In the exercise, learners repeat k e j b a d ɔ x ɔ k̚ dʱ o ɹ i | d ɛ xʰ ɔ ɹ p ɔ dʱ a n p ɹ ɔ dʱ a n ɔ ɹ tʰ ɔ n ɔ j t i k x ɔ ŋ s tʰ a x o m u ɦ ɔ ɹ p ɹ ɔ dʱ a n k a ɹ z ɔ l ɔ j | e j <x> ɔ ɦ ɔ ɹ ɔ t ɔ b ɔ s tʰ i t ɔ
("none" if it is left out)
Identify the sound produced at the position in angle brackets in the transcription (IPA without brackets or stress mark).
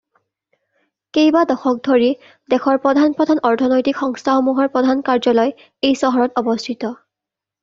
s